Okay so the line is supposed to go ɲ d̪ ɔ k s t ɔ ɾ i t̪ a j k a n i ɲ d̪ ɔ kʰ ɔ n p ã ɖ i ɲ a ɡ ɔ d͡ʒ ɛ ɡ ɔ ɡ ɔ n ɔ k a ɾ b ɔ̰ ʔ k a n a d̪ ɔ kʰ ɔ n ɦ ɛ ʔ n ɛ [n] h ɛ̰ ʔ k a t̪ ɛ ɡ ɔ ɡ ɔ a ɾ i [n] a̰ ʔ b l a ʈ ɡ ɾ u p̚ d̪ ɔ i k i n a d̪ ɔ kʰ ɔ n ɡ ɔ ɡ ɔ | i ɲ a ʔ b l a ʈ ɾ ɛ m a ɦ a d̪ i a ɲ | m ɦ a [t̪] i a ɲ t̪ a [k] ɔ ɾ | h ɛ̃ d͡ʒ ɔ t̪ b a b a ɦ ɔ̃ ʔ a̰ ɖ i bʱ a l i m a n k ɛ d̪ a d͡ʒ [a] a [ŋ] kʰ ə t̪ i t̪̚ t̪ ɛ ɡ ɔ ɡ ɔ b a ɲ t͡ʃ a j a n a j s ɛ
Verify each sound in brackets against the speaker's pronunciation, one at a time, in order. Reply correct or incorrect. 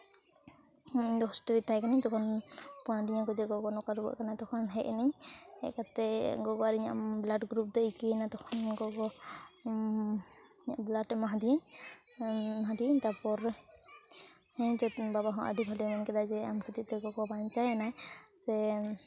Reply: incorrect, incorrect, incorrect, incorrect, incorrect, incorrect

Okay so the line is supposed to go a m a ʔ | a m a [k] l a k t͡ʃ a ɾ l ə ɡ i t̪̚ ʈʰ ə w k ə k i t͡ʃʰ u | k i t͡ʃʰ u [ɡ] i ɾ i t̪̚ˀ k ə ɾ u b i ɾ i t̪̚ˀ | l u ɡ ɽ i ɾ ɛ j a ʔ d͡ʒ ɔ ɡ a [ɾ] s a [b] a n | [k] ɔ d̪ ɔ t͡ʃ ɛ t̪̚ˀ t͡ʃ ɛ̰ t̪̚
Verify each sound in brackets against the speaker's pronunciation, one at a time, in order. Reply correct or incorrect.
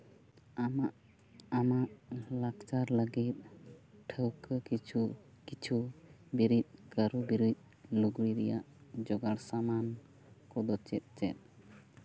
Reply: incorrect, incorrect, incorrect, incorrect, correct

